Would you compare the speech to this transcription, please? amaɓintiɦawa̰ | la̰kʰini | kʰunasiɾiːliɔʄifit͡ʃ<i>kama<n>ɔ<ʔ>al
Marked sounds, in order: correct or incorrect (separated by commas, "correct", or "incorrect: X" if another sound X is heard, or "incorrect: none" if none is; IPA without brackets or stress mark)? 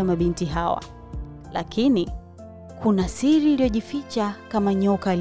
incorrect: a, incorrect: ɲ, incorrect: k